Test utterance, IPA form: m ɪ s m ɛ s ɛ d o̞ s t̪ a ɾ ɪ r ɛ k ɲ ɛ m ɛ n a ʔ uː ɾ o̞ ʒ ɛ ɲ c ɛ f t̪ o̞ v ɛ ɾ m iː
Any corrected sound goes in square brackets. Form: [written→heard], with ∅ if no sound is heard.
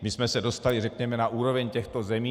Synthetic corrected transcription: m ɪ s m ɛ s ɛ d o̞ s t̪ a [ɾ→l] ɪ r ɛ k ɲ ɛ m ɛ n a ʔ uː ɾ o̞ [ʒ→v] ɛ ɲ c ɛ [f→x] t̪ o̞ [v→z] ɛ [ɾ→∅] m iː